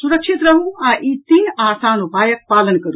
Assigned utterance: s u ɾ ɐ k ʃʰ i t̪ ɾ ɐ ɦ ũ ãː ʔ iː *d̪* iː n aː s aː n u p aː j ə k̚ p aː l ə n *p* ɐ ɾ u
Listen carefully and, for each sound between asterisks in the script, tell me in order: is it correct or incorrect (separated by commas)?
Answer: incorrect, incorrect